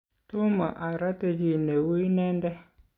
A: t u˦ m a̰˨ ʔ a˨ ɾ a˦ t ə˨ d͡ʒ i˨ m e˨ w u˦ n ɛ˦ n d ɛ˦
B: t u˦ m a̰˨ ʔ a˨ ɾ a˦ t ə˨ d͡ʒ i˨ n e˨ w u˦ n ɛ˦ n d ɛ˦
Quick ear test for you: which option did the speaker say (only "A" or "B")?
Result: B